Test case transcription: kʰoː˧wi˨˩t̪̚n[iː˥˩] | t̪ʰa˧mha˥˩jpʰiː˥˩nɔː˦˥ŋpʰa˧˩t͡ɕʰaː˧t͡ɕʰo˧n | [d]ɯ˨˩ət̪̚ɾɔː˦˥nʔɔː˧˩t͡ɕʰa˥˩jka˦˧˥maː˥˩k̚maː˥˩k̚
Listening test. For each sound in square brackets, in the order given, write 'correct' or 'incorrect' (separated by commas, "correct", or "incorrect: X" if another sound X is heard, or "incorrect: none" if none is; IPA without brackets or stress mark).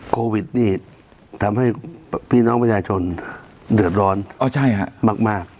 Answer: correct, correct